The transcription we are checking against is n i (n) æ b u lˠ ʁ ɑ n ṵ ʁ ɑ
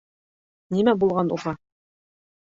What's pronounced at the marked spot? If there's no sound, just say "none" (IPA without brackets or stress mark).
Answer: m